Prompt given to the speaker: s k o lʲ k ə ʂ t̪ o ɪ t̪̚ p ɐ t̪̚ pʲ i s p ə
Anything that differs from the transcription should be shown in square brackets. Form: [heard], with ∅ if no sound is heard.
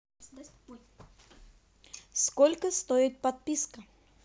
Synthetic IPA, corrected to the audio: s k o lʲ k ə [s] t̪ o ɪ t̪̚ p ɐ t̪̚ pʲ i s [k] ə